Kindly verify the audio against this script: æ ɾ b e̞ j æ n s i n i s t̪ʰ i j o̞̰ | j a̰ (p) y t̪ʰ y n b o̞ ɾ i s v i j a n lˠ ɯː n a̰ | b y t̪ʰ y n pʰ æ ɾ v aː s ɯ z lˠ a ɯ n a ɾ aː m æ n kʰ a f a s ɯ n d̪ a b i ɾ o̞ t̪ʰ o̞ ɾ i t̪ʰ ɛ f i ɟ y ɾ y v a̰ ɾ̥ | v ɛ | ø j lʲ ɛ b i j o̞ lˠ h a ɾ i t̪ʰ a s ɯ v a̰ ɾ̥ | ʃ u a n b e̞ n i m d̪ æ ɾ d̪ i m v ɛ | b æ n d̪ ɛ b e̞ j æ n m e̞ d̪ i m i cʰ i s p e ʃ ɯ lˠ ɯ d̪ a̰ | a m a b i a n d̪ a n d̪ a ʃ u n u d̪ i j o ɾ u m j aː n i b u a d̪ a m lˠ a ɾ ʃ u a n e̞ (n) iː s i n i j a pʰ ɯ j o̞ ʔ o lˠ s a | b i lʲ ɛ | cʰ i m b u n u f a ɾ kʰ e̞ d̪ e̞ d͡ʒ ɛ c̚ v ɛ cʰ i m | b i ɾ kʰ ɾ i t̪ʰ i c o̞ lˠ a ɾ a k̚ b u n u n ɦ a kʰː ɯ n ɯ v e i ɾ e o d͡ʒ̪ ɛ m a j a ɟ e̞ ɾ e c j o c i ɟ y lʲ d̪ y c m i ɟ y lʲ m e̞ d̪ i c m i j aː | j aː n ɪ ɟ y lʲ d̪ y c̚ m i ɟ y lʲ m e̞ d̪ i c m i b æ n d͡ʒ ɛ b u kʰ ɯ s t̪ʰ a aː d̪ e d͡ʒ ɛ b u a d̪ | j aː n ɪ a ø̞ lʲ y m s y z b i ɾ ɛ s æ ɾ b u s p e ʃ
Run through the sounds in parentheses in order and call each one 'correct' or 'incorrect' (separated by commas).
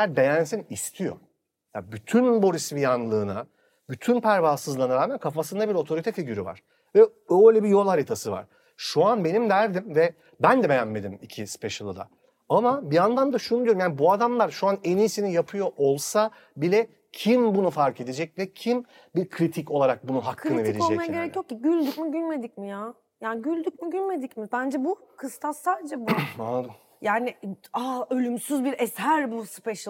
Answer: incorrect, correct